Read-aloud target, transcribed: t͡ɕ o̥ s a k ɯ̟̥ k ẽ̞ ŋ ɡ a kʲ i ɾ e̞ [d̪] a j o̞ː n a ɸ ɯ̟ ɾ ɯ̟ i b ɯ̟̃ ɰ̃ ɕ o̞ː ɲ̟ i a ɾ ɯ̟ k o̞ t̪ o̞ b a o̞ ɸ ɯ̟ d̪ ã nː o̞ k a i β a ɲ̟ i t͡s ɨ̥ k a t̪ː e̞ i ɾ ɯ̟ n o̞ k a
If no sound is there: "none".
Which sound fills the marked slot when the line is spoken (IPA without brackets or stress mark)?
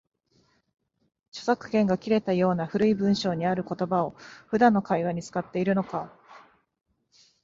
t̪